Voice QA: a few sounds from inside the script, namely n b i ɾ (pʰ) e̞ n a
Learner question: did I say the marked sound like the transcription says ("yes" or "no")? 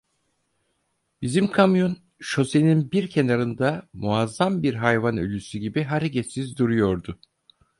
no